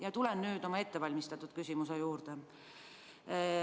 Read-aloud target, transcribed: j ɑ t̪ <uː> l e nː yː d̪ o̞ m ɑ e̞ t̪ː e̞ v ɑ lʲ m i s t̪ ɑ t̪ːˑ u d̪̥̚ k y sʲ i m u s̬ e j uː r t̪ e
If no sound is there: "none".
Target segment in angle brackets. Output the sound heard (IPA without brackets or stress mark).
u